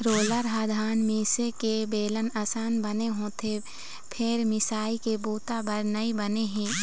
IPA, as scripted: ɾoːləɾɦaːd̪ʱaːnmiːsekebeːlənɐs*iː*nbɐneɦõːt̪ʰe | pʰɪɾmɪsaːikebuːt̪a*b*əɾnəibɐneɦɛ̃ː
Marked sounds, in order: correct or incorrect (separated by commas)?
incorrect, correct